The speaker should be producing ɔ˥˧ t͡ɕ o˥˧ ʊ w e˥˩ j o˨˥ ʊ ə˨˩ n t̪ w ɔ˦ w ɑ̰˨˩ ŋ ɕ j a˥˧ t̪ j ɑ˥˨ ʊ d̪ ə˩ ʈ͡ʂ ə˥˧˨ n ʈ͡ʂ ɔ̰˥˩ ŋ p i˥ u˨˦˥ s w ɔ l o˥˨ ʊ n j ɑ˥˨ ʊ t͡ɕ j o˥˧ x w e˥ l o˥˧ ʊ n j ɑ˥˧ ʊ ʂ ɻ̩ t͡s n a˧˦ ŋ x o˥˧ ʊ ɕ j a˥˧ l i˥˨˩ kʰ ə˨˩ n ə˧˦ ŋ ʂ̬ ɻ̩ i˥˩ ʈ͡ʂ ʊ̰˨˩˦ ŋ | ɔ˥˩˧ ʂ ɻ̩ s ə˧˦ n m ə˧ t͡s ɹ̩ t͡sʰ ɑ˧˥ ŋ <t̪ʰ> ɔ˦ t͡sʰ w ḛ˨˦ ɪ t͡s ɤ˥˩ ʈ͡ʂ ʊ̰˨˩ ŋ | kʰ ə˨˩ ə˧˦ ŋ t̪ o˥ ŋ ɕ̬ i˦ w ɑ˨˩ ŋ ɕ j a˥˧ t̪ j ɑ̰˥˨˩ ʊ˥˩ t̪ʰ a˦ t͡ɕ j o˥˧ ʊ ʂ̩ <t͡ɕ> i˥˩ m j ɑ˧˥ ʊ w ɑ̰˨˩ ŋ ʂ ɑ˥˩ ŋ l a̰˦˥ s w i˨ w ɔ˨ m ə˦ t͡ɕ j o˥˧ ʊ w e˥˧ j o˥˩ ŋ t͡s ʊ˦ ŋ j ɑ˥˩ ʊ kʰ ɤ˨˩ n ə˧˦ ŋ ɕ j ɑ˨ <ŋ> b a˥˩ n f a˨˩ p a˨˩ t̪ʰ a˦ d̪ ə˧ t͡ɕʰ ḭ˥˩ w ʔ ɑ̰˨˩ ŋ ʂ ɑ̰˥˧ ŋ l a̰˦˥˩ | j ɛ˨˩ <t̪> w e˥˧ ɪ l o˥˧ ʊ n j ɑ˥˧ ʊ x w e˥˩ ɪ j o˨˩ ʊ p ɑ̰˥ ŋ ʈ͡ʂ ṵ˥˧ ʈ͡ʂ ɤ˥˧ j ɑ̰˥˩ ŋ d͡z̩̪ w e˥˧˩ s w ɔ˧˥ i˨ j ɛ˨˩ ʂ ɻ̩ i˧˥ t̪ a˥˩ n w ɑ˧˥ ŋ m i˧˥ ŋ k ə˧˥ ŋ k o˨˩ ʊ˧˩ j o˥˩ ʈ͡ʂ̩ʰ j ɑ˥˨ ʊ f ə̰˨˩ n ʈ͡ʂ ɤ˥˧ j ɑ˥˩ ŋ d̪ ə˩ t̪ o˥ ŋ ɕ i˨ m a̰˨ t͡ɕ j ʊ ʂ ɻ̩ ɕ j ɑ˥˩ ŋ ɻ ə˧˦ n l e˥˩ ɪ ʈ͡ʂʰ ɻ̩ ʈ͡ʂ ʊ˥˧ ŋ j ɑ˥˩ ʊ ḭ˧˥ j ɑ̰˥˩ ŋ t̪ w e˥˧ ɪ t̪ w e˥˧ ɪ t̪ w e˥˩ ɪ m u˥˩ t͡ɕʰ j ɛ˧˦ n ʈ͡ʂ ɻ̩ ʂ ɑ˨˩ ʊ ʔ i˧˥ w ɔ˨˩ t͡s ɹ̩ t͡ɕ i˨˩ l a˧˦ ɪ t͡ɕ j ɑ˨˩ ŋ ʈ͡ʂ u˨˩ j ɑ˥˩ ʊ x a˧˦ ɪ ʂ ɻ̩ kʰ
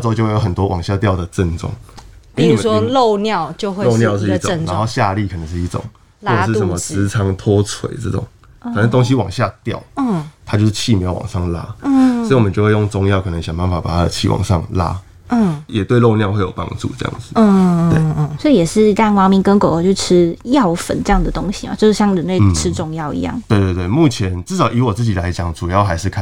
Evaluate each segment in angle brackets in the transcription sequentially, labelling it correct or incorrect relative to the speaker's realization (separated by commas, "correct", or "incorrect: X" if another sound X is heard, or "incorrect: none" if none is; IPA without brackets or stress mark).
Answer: correct, incorrect: t͡ɕʰ, correct, correct